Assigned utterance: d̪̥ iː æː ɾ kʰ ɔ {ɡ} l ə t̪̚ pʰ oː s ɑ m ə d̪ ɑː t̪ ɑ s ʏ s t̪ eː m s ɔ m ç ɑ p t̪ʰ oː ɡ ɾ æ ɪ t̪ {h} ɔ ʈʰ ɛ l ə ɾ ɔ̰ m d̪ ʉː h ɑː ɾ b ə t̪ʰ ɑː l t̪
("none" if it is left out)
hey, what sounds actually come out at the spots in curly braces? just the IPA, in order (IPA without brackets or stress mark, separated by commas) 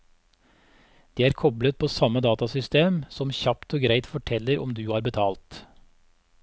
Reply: b, f